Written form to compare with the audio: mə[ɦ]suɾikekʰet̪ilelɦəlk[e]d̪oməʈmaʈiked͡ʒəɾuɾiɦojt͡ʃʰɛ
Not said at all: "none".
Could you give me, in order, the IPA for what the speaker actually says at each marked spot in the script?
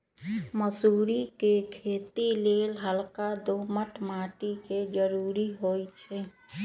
none, a

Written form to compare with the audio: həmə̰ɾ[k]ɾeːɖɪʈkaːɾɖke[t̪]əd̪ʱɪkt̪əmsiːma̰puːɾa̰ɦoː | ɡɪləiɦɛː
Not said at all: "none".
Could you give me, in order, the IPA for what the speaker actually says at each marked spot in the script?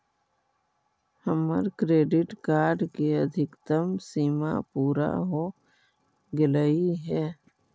k, none

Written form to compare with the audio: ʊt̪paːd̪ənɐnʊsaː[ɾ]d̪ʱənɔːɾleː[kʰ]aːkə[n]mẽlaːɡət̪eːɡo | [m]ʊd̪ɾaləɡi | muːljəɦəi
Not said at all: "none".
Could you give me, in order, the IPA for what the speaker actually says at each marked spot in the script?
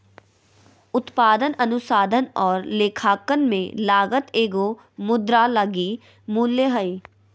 none, kʰ, n, m

